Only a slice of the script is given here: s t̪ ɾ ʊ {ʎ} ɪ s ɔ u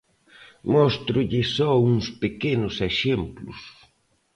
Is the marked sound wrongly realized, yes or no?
no